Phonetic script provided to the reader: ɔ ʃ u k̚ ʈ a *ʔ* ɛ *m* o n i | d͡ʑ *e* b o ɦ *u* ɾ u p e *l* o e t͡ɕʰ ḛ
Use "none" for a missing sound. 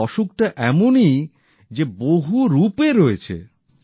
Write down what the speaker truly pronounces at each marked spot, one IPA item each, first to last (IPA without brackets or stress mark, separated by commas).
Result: ʔ, m, e, u, ɾ